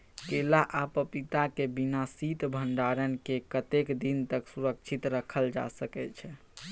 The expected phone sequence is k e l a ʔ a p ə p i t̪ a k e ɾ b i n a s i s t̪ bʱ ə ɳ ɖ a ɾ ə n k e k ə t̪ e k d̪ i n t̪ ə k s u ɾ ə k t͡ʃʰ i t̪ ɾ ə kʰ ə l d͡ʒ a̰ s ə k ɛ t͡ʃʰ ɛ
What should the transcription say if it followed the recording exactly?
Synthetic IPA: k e l a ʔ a p ə p i t̪ a k e b i n a s i t̪ bʱ ə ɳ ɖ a ɾ ə n k e k ə t̪ e k d̪ i n t̪ ə k s u ɾ ə k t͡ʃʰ i t̪ ɾ ə kʰ ə l d͡ʒ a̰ s ə k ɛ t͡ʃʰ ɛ